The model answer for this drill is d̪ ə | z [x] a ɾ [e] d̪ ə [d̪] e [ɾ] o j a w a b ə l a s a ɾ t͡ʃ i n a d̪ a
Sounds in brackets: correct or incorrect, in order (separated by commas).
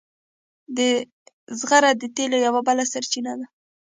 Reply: incorrect, incorrect, incorrect, incorrect